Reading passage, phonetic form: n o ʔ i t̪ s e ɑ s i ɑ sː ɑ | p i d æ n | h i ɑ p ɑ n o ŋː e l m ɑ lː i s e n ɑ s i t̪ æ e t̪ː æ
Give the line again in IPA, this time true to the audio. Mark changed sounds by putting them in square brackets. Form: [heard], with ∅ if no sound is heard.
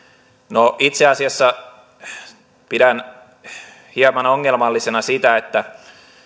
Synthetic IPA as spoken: n o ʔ i t̪ s e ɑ s i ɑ sː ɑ | p i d æ n | h i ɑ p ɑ n o ŋː e l m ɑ lː i s e n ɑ s i t̪ æ e t̪ː æ

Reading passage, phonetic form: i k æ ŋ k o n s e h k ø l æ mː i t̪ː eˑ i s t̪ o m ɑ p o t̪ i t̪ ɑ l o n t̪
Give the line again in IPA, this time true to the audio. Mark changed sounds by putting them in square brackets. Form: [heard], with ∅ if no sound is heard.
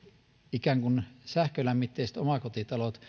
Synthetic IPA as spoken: i k æ ŋ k [u] n s [æ] h k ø l æ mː i t̪ː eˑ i s t̪ o m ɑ [k] o t̪ i t̪ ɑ l o [∅] t̪

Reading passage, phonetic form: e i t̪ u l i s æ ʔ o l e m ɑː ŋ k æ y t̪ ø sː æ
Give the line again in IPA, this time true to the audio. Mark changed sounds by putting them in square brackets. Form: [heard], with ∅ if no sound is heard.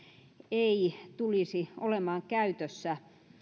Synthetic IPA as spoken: e i t̪ u l i s [i] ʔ o l e m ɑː ŋ k æ y t̪ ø sː æ

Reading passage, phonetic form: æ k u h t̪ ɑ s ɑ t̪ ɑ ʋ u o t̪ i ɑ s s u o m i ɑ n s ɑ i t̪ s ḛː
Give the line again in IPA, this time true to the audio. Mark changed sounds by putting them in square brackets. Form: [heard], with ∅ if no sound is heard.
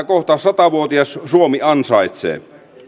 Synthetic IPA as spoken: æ k [o] h t̪ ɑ s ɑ t̪ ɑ ʋ u o t̪ i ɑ s s u o m i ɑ n s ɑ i t̪ s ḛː

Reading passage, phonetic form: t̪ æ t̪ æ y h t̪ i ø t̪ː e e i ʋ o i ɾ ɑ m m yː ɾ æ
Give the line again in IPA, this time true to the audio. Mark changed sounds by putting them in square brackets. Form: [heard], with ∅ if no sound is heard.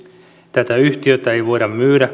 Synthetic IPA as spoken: t̪ æ t̪ æ y h t̪ i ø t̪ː [æ] e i ʋ o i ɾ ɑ m m yː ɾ æ

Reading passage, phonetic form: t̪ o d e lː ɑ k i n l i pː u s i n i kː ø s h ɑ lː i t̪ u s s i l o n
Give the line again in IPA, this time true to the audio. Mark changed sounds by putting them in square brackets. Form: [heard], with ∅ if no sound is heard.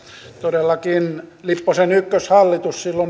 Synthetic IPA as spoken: t̪ o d e lː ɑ k i n l i pː [o] s [e] n [y] kː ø s h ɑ lː i t̪ u s s i [lː] o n

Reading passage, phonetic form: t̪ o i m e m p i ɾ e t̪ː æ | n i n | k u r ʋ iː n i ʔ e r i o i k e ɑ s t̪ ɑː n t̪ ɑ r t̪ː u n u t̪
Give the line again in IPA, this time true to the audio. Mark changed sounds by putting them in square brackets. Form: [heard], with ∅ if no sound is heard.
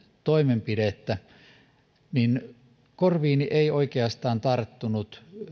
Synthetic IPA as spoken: t̪ o i m e m p i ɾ e t̪ː æ | n i n | k [o] r ʋ iː n i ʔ e [∅] i o i k e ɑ s t̪ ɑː n t̪ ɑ r t̪ː u n u t̪

